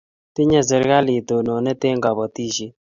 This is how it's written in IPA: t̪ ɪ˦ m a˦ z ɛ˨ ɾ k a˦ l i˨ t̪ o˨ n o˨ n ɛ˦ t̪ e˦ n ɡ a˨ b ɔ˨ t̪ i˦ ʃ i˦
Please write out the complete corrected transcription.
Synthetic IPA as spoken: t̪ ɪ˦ ɲ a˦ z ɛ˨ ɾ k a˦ l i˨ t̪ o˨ n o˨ n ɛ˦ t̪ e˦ ŋ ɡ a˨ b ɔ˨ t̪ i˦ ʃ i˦